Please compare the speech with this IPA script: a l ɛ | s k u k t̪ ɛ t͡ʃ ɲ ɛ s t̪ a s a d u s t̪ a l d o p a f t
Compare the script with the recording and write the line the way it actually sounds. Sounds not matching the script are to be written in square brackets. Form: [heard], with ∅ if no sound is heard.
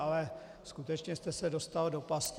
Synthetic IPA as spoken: a l ɛ | s k u [∅] t̪ ɛ t͡ʃ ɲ ɛ s t̪ [ɛ] s [ɛ] d [o] s t̪ a l d o p a [s] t

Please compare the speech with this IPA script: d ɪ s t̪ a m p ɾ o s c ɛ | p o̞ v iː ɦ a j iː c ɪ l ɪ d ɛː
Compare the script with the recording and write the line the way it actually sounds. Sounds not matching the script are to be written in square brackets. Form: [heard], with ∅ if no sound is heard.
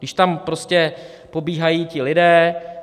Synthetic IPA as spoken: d ɪ [ʃ] t̪ a m p ɾ o s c ɛ | p o̞ [b] iː ɦ a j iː c ɪ l ɪ d ɛː

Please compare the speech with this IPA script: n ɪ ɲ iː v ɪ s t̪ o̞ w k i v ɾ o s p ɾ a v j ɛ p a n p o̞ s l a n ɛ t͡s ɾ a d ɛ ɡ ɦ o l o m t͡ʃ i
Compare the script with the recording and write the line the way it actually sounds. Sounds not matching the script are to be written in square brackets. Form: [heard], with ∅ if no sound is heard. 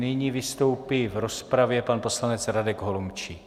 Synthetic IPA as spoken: n ɪ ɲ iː v ɪ s t̪ o̞ w [p] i v ɾ o s p ɾ a v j ɛ p a n p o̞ s l a n ɛ t͡s ɾ a d ɛ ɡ ɦ o l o m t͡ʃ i

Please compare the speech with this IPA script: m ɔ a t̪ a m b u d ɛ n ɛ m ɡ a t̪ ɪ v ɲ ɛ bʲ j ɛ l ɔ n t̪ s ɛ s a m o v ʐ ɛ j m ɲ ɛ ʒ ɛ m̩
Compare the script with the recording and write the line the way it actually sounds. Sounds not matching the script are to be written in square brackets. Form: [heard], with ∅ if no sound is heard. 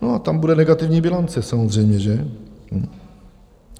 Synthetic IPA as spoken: [n] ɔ a t̪ a m b u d ɛ n ɛ [∅] ɡ a t̪ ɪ v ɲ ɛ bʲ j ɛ l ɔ n t̪ s ɛ s a m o [z] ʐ ɛ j m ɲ ɛ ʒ ɛ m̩

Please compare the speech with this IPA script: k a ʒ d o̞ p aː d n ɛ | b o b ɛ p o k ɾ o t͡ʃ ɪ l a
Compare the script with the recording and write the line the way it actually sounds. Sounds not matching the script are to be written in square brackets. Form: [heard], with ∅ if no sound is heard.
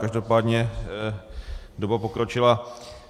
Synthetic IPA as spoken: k a ʒ d o̞ p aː d [ɲ] ɛ | [d] o b [a] p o k ɾ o t͡ʃ ɪ l a

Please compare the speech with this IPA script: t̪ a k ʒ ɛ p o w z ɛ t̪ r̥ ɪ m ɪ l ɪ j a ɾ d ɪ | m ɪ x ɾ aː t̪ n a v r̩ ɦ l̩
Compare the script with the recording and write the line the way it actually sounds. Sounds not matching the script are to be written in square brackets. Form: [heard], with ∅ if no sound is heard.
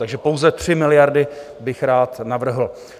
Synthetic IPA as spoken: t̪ a [ɡ] ʒ ɛ p o w z ɛ t̪ r̥ ɪ m ɪ l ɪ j a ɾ d ɪ | [b] ɪ x ɾ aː t̪ n a v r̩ ɦ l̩

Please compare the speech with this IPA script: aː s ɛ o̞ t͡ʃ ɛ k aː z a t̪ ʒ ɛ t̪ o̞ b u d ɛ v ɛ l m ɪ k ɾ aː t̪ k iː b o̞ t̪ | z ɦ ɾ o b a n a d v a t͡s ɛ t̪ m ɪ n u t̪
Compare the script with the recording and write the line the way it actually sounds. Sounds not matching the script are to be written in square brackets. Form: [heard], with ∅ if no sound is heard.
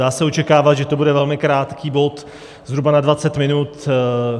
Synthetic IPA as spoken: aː s ɛ o̞ t͡ʃ ɛ k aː [v] a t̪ ʒ ɛ t̪ o̞ b u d ɛ v ɛ l m ɪ k ɾ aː t̪ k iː b o̞ t̪ | z ɦ ɾ [u] b a n a d v a t͡s ɛ t̪ m ɪ n u t̪

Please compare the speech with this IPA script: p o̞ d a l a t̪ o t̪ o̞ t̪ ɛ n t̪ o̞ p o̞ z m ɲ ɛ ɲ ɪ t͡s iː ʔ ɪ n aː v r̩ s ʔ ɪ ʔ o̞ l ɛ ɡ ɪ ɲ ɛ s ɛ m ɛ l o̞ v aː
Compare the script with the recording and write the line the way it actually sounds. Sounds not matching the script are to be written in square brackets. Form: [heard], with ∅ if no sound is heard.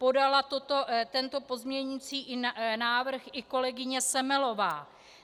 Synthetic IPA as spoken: p o̞ d a l a t̪ o t̪ o̞ t̪ ɛ n t̪ o̞ p o̞ z m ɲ ɛ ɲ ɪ t͡s iː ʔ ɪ n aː v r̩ [x] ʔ ɪ [k] o̞ l ɛ ɡ ɪ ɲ ɛ s ɛ m ɛ l o̞ v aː

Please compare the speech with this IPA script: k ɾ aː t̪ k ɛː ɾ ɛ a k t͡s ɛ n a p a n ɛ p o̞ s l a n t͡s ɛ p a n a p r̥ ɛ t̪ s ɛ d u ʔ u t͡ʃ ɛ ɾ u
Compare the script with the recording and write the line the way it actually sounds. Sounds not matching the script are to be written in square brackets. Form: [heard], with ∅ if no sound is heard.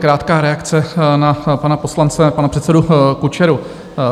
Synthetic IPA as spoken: k ɾ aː t̪ k [aː] ɾ ɛ a k t͡s ɛ n a p a n [a] p o̞ s l a n t͡s ɛ p a n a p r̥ ɛ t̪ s ɛ d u [k] u t͡ʃ ɛ ɾ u

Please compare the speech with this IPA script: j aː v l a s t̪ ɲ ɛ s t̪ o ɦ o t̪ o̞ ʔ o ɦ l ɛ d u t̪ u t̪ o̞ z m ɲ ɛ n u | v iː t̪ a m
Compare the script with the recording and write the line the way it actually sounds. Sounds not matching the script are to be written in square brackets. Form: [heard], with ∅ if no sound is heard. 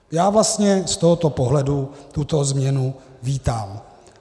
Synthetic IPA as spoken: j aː v l a s t̪ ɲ ɛ s t̪ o ɦ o t̪ o̞ [p] o ɦ l ɛ d u t̪ u t̪ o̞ z m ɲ ɛ n u | v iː t̪ a m

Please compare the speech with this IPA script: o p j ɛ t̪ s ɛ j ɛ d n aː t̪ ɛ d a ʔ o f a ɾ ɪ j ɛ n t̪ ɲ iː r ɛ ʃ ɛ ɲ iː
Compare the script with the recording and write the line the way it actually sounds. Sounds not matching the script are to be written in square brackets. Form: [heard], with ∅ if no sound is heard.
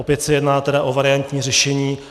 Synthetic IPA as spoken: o p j ɛ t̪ s ɛ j ɛ d n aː t̪ ɛ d a ʔ o [v] a ɾ ɪ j [a] n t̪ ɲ iː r ɛ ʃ ɛ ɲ iː

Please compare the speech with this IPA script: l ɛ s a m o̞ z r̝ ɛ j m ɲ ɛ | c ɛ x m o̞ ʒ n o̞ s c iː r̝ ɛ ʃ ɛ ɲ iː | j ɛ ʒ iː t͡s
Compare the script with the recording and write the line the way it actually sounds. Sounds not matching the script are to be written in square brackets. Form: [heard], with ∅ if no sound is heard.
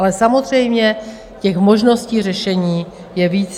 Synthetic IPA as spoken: l ɛ s a m o̞ z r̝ ɛ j m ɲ ɛ | c ɛ x m o̞ ʒ n o̞ s c iː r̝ ɛ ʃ ɛ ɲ iː | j ɛ [v] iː t͡s

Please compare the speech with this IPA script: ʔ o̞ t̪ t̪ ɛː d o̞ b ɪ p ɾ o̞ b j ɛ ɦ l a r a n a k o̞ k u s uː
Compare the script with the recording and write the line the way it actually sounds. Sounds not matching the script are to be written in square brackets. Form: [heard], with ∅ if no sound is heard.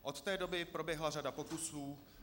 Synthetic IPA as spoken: ʔ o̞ t̪ t̪ ɛː d o̞ b ɪ p ɾ o̞ b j ɛ ɦ l a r a [d] a [p] o̞ k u s uː

